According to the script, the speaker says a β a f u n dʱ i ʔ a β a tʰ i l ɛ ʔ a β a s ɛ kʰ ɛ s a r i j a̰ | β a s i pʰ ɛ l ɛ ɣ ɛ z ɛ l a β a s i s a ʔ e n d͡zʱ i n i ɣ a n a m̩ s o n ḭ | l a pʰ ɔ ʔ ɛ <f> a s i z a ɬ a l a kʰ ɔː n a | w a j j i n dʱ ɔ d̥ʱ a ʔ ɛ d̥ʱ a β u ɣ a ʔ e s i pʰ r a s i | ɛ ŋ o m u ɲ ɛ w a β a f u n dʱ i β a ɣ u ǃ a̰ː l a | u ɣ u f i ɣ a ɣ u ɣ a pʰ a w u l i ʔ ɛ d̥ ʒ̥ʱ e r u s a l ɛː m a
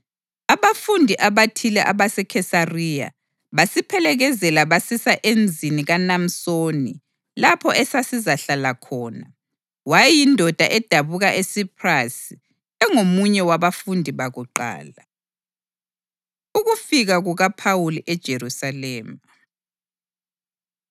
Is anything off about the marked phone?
yes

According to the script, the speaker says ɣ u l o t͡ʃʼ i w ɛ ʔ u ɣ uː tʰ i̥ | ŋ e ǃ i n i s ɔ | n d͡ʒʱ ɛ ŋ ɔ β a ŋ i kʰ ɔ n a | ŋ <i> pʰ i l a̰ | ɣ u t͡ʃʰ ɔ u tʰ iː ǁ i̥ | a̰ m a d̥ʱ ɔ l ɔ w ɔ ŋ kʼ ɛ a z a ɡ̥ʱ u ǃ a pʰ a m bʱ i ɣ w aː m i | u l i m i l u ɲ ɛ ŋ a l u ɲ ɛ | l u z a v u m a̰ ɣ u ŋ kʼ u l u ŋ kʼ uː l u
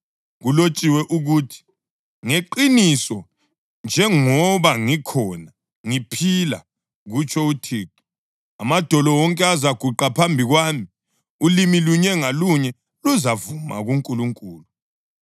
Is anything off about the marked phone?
no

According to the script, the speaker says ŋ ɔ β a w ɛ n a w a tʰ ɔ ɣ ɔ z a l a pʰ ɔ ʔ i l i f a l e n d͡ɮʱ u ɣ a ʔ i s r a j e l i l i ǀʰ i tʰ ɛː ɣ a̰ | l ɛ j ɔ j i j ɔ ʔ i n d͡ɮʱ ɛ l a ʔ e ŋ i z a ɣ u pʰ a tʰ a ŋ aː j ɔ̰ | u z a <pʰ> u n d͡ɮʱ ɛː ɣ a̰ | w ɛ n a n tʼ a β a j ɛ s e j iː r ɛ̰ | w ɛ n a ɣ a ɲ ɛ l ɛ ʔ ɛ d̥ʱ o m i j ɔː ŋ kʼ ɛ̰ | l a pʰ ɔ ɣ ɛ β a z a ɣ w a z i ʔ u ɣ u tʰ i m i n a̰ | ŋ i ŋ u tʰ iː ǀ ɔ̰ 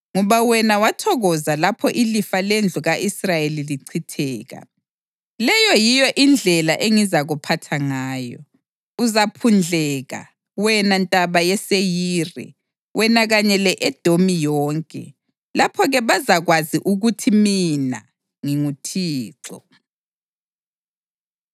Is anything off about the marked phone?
no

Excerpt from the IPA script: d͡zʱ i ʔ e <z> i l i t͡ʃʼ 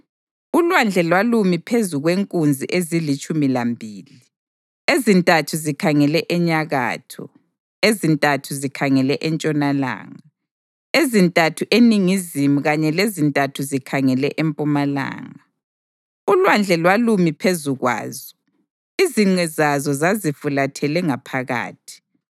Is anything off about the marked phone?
no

